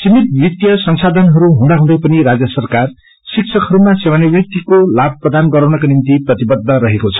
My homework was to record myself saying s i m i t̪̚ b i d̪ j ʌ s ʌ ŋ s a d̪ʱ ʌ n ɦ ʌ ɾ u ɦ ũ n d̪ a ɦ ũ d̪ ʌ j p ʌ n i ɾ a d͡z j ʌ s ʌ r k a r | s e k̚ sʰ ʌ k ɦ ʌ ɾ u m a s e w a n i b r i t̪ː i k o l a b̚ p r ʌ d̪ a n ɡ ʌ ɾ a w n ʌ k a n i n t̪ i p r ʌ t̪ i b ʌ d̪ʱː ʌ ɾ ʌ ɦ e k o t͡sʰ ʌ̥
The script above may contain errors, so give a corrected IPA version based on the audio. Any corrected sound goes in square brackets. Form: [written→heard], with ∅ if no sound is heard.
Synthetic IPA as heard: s i m i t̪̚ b i [d̪→t̪] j ʌ s ʌ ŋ s a d̪ʱ ʌ n ɦ ʌ ɾ u ɦ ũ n d̪ a ɦ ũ d̪ ʌ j p ʌ n i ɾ a d͡z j ʌ s ʌ r k a r | s [e→i] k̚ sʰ ʌ k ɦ ʌ ɾ u m a s e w a n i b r i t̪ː i k o l a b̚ p r ʌ d̪ a n ɡ ʌ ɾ a w n ʌ k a n i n t̪ i p r ʌ t̪ i b ʌ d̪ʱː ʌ ɾ ʌ ɦ e k o t͡sʰ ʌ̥

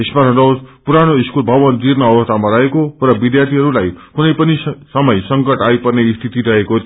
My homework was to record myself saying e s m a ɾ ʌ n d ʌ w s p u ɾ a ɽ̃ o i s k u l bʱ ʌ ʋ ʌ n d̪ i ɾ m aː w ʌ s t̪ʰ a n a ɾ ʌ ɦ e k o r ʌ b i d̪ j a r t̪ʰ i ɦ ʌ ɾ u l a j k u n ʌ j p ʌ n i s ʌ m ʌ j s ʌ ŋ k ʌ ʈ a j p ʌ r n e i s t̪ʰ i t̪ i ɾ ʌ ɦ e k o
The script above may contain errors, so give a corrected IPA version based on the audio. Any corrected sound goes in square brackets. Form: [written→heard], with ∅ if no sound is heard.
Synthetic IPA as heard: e s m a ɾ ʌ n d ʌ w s p u ɾ a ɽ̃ o i s k u l bʱ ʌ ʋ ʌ n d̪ i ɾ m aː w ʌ s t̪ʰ a [n→m] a ɾ ʌ ɦ e k o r ʌ b i d̪ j a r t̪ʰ i ɦ ʌ ɾ u l a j k u n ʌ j p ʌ n i s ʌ m ʌ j s ʌ ŋ k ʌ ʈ a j p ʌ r n e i s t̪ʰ i t̪ i ɾ ʌ ɦ e k o

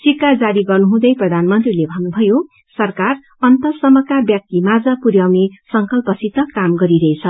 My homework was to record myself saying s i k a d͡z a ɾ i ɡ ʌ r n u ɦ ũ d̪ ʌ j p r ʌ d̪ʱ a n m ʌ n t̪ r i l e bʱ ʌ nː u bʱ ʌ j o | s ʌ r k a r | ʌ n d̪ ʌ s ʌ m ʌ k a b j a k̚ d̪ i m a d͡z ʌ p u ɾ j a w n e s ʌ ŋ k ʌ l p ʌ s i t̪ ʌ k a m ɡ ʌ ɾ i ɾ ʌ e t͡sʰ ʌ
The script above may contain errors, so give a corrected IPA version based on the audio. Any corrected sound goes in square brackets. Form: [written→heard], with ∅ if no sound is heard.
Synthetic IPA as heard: s i k a d͡z a ɾ i ɡ ʌ r n u ɦ ũ d̪ ʌ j p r ʌ d̪ʱ a n m ʌ n t̪ r i l e bʱ ʌ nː u bʱ ʌ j o | s ʌ r k a r | ʌ n [d̪→t̪] ʌ s ʌ m ʌ k a b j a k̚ [d̪→t̪] i m a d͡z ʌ p u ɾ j a w n e s ʌ ŋ k ʌ l p ʌ s i t̪ ʌ k a m ɡ ʌ ɾ i ɾ ʌ e t͡sʰ ʌ

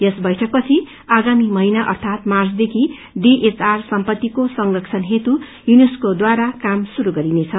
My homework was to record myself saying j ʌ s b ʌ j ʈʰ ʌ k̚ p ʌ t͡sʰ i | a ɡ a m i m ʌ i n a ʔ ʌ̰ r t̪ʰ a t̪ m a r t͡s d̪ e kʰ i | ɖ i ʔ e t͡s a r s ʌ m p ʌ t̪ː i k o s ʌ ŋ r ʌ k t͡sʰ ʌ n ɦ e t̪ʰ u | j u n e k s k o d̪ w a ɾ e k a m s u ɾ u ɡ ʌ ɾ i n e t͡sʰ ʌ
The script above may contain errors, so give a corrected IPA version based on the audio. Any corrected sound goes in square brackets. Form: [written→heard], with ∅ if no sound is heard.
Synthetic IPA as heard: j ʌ s b ʌ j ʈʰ ʌ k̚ p ʌ t͡sʰ i | a ɡ a m i m ʌ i n a ʔ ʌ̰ r t̪ʰ a t̪ m a r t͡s d̪ e kʰ i | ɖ i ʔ e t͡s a r s ʌ m p ʌ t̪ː i k o s ʌ ŋ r ʌ k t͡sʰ ʌ n ɦ e [t̪ʰ→t̪] u | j u n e [k→∅] s k o d̪ w a ɾ [e→a] k a m s u ɾ u ɡ ʌ ɾ i n e t͡sʰ ʌ

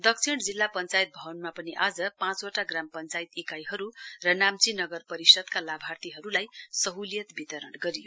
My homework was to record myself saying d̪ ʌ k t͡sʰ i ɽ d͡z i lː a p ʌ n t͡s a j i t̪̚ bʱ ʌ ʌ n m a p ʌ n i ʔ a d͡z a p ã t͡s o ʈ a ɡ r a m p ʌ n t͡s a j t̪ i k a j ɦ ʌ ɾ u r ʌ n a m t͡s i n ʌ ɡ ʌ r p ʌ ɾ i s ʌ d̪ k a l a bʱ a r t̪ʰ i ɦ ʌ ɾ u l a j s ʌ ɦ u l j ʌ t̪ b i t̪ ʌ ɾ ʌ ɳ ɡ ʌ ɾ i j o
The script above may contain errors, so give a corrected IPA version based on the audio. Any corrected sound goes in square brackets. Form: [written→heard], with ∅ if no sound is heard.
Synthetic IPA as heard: d̪ ʌ k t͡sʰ i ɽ d͡z i lː a p ʌ n t͡s a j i t̪̚ bʱ ʌ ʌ n m a p ʌ n i ʔ a d͡z [a→ʌ] p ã t͡s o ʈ a ɡ r a m p ʌ n t͡s a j t̪ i k a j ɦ ʌ ɾ u r ʌ n a m t͡s i n ʌ ɡ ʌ r p ʌ ɾ i s ʌ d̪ k a l a bʱ a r [t̪ʰ→t̪] i ɦ ʌ ɾ u l a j s ʌ ɦ u l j ʌ t̪ b i t̪ ʌ ɾ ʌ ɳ ɡ ʌ ɾ i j o

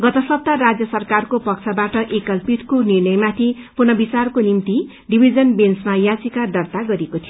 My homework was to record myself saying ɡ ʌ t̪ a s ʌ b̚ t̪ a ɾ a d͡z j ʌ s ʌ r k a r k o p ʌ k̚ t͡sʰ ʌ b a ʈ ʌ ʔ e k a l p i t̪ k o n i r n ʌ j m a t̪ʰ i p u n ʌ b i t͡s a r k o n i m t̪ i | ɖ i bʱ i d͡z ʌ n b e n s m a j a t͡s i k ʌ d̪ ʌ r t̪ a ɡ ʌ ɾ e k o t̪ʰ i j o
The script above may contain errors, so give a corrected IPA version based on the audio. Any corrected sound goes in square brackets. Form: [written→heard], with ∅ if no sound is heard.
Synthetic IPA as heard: ɡ ʌ t̪ [a→ʌ] s ʌ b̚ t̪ a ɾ a d͡z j ʌ s ʌ r k a r k o p ʌ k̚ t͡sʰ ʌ b a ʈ ʌ ʔ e k [a→ʌ] l p i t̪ k o n i r n ʌ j m a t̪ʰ i p u n ʌ b i t͡s a r k o n i m t̪ i | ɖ i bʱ i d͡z ʌ n b e n s m a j a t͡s i k [ʌ→a] d̪ ʌ r t̪ a ɡ ʌ ɾ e k o t̪ʰ i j o

